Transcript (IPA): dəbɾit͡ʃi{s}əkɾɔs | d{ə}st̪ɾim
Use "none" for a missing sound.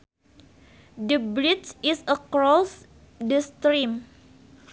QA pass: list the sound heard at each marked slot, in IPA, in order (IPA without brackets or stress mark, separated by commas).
s, ə